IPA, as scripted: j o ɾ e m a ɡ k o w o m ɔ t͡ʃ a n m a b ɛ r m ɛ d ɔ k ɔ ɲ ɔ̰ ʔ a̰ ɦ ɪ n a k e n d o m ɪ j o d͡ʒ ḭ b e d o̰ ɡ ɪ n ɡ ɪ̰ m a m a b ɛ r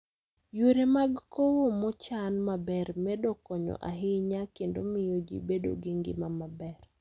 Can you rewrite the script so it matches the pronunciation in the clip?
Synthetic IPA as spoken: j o ɾ e m a ɡ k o w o m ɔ t͡ʃ a n m a b ɛ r m ɛ d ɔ k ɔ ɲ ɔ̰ ʔ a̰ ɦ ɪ ɲ a k e n d o m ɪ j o d͡ʒ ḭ b e d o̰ ɡ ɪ ŋ ɡ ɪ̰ m a m a b ɛ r

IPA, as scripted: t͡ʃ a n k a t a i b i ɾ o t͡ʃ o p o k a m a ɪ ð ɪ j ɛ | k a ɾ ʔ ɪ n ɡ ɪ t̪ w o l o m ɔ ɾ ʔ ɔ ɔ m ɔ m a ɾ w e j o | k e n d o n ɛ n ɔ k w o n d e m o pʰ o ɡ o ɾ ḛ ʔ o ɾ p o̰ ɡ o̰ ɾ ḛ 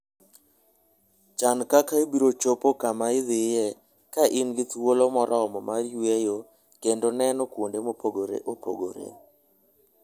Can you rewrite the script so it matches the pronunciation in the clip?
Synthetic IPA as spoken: t͡ʃ a n k a k a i b i ɾ o t͡ʃ o p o k a m a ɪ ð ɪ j ɛ | k a ʔ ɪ n ɡ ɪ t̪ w o l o m ɔ ɾ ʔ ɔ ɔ m ɔ m a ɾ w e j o | k e n d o n ɛ n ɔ k w o n d e m o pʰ o ɡ o ɾ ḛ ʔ o p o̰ ɡ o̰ ɾ ḛ

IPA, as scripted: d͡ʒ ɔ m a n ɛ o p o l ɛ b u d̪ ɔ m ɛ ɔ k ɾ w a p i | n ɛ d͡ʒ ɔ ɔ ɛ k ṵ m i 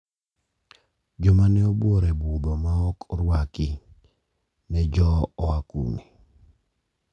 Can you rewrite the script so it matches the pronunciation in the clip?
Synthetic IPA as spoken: d͡ʒ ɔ m a n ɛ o b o ɾ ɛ b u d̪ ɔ m a ɔ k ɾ w a k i | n ɛ d͡ʒ ɔ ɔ a k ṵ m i

